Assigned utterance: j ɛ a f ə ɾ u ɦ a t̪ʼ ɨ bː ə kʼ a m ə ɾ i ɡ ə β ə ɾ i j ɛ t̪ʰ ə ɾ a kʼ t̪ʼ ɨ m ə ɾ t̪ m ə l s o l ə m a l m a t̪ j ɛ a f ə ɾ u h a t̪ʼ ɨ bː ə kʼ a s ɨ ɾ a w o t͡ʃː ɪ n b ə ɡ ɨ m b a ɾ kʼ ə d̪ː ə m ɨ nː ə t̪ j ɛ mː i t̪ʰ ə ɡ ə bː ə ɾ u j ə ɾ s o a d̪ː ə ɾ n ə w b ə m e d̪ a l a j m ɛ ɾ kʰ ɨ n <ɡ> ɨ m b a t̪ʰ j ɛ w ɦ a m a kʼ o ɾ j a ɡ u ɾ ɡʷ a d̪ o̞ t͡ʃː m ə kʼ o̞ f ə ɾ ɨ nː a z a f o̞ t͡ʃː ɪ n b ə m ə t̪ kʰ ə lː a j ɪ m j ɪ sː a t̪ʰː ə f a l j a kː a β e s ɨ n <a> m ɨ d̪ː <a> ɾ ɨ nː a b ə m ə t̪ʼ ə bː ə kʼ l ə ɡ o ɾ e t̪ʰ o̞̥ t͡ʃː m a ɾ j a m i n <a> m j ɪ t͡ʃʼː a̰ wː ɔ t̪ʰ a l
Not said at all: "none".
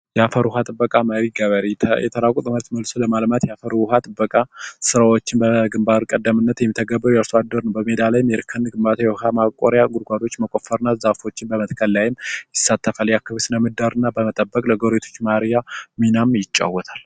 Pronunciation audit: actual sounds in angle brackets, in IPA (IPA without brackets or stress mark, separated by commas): ɡ, ə, a, a